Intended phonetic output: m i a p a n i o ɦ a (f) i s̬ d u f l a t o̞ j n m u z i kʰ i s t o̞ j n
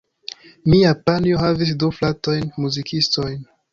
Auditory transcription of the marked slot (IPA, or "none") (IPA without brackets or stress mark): v